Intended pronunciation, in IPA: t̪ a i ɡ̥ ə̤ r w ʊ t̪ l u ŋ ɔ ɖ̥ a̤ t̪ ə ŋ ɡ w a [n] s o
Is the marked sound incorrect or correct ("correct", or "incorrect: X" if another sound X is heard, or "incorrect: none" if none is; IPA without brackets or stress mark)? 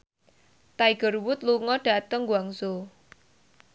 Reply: incorrect: ŋ